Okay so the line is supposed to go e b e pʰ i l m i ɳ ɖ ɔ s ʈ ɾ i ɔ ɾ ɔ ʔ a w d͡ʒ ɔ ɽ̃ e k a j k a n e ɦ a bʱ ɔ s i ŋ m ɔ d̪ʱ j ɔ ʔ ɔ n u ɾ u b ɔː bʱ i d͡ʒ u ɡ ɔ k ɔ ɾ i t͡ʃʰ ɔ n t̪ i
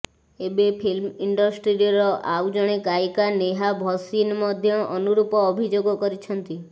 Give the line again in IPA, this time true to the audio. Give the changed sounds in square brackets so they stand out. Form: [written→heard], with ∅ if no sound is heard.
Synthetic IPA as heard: e b e pʰ i l m i ɳ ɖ ɔ s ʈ ɾ i ɔ ɾ ɔ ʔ a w d͡ʒ ɔ ɽ̃ e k a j k a n e ɦ a bʱ ɔ s i [ŋ→n] m ɔ d̪ʱ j ɔ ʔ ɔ n u ɾ u [b→p] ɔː bʱ i d͡ʒ [u→o] ɡ ɔ k ɔ ɾ i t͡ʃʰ ɔ n t̪ i